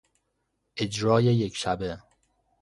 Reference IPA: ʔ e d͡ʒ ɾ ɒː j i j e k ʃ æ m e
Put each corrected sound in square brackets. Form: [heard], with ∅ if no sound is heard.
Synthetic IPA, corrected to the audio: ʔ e d͡ʒ ɾ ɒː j [e] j e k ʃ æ [b] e